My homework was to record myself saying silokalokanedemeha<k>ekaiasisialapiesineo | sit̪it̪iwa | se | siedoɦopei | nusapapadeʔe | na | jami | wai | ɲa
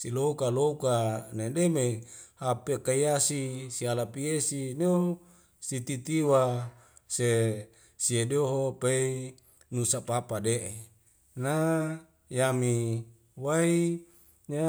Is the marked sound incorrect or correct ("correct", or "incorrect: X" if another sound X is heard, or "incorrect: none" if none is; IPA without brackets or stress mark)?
incorrect: p